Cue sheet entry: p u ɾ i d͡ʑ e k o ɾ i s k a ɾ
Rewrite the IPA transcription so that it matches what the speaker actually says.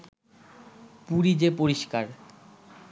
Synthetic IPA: p u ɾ i d͡ʑ e p o ɾ i ʃ k a ɾ